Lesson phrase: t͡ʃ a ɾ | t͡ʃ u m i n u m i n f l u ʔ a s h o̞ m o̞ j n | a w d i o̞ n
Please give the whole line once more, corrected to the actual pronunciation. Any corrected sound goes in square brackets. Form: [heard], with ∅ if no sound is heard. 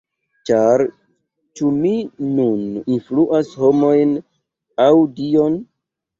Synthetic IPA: t͡ʃ a ɾ | t͡ʃ u m i n u [n] i n f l u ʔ a s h o̞ m o̞ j n | a w d i o̞ n